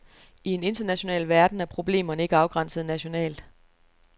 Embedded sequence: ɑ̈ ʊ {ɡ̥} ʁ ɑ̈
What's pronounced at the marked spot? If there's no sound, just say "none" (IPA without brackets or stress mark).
ɡ̥